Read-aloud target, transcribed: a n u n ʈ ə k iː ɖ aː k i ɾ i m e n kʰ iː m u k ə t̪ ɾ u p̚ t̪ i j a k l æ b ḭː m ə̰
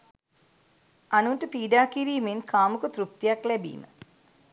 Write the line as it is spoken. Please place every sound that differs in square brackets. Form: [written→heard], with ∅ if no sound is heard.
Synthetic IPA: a n u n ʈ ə [k→p] iː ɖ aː k i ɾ [i→iː] m e n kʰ [iː→aː] m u k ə t̪ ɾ u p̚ t̪ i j a k l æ b ḭː m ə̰